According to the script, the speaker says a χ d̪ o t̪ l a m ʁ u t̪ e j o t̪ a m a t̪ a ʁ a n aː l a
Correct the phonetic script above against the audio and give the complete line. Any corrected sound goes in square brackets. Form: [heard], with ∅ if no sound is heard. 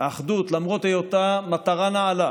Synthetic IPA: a χ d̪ [u] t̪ l a m ʁ [o] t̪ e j o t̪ a m a t̪ a ʁ a n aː l a